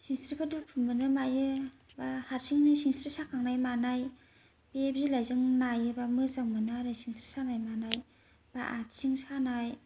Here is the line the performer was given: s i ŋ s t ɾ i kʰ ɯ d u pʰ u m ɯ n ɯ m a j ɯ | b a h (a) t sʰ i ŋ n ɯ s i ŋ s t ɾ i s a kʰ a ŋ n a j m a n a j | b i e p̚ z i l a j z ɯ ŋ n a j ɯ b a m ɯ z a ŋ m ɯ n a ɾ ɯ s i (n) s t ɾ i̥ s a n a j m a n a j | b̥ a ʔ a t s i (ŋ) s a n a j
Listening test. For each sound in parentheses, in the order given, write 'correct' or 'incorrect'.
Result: correct, incorrect: ŋ, correct

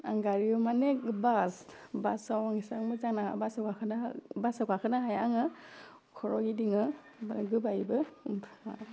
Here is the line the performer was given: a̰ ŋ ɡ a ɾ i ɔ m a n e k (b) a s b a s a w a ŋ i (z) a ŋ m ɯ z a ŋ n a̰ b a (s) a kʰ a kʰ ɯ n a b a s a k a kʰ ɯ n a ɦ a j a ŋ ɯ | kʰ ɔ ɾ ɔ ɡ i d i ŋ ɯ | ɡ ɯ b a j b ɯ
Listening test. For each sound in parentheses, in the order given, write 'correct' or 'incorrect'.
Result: correct, incorrect: s, correct

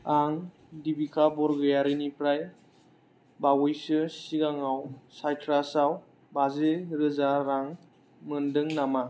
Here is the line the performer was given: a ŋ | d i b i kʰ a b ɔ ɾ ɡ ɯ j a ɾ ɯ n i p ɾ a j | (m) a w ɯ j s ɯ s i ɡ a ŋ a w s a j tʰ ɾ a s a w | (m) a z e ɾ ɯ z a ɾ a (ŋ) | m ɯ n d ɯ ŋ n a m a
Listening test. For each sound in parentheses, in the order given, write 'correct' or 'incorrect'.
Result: incorrect: b, incorrect: b, correct

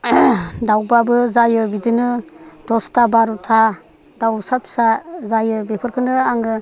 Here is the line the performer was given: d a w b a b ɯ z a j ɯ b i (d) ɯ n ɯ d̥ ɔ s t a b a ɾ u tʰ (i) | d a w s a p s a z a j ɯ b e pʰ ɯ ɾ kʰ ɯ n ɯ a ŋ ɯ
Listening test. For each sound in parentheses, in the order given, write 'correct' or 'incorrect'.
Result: correct, incorrect: a

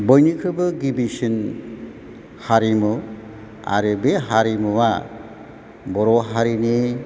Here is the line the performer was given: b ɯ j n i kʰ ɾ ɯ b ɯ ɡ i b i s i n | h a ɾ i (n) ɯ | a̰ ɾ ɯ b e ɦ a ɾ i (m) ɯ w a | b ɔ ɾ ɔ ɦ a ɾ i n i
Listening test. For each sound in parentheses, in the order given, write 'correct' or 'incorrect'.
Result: incorrect: m, correct

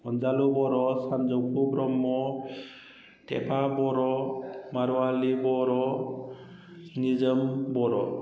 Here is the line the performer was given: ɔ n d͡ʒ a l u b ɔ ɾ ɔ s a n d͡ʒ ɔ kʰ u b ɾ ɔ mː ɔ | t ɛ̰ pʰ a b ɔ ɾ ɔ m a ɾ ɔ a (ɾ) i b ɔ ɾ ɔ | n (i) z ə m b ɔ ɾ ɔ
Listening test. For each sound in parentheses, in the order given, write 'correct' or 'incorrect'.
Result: incorrect: l, correct

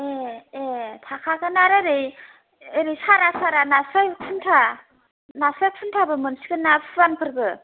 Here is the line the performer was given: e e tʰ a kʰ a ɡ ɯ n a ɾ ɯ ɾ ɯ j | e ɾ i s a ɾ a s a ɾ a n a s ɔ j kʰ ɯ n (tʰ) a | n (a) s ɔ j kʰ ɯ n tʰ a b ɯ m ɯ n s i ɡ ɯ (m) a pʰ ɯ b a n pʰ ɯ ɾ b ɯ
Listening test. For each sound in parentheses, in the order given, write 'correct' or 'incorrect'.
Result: correct, correct, incorrect: n

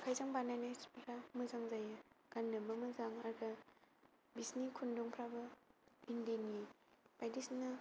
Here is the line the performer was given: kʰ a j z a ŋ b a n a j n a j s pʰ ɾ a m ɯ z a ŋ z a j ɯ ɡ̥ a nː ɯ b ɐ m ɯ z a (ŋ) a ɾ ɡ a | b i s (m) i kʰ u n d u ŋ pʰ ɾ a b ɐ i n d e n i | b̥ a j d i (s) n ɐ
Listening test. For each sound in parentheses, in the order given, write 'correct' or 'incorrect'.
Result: correct, incorrect: n, correct

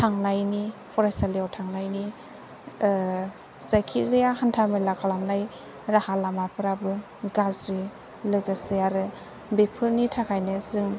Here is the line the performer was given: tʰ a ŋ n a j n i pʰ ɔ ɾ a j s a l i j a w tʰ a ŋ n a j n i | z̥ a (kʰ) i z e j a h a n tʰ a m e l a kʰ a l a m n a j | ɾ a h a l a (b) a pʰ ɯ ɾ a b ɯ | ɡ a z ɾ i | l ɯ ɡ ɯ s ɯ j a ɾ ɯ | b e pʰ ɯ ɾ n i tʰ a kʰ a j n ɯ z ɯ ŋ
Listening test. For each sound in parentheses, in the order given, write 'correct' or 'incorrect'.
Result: correct, incorrect: m

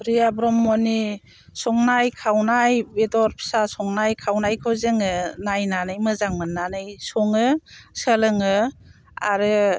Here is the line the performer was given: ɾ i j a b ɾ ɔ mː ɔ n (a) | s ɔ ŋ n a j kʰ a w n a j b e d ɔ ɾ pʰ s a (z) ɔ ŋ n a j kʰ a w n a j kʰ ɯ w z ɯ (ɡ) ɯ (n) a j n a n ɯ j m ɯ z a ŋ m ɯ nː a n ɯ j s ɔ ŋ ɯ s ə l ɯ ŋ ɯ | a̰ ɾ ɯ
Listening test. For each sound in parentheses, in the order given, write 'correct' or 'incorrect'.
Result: incorrect: i, incorrect: s, incorrect: ŋ, correct

